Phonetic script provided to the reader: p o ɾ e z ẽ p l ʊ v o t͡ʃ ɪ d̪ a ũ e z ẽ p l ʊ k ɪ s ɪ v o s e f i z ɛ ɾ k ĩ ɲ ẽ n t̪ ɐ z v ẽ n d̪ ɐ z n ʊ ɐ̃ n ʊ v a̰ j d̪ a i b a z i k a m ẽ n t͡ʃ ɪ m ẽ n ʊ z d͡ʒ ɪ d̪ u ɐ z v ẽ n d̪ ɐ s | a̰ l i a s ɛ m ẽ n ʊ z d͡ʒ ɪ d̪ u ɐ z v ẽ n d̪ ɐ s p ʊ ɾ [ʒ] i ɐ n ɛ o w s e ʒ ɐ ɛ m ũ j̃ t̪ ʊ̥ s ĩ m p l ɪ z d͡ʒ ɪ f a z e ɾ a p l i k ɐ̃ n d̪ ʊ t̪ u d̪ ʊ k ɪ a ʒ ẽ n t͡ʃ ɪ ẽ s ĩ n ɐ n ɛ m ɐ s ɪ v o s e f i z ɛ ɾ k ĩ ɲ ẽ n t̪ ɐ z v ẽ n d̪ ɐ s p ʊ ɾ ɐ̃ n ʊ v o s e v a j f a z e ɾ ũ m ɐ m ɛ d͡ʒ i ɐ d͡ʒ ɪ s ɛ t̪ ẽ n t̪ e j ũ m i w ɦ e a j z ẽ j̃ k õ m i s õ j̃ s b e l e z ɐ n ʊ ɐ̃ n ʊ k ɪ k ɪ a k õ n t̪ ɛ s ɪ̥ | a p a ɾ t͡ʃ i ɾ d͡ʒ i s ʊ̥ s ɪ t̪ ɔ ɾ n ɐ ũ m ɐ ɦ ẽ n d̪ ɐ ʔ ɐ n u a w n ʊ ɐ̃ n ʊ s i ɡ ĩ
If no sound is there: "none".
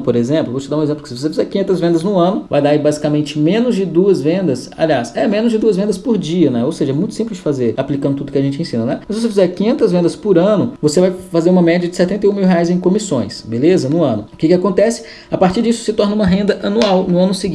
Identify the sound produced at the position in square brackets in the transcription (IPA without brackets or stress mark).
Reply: d͡ʒ